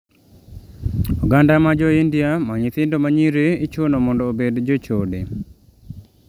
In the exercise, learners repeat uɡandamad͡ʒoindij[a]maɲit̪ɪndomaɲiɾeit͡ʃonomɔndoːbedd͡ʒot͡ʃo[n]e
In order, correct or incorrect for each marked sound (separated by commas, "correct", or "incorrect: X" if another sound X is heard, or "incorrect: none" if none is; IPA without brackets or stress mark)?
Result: correct, incorrect: d